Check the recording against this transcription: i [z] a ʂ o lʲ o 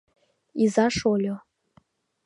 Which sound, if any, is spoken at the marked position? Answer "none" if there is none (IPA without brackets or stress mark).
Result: z